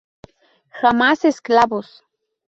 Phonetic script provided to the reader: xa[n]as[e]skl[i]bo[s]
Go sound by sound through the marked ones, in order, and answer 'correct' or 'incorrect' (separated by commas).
incorrect, correct, incorrect, correct